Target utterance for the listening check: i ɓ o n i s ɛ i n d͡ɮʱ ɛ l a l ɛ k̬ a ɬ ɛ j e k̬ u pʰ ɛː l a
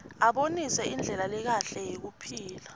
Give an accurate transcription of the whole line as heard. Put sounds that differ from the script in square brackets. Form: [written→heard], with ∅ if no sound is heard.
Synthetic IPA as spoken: [i→a] ɓ o n i s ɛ i n d͡ɮʱ ɛ l a l ɛ k̬ a ɬ ɛ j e k̬ u pʰ [ɛː→iː] l a